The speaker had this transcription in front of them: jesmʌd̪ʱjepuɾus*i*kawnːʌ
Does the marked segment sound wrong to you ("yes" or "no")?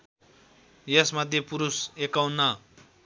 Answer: yes